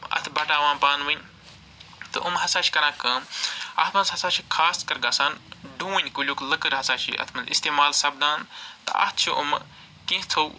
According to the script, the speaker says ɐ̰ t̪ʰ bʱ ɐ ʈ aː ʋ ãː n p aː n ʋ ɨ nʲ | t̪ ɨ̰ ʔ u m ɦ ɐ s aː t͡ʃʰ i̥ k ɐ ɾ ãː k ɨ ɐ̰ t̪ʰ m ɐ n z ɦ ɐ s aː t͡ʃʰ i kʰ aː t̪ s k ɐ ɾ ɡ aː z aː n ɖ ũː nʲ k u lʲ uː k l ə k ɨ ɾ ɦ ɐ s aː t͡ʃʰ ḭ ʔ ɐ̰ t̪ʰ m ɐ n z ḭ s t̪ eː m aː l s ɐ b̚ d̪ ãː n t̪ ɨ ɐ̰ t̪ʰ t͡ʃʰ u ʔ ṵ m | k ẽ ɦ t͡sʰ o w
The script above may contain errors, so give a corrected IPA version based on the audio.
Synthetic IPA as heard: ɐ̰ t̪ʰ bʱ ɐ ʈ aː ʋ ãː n p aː n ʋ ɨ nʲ | t̪ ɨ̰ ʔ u m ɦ ɐ s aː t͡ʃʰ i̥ k ɐ ɾ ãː k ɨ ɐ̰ t̪ʰ m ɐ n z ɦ ɐ s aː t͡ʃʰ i kʰ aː s k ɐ ɾ ɡ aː s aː n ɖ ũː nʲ k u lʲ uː k l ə k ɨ ɾ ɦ ɐ s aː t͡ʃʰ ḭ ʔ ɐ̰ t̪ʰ m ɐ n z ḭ s t̪ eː m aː l s ɐ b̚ d̪ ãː n t̪ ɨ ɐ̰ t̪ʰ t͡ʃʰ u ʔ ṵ m | k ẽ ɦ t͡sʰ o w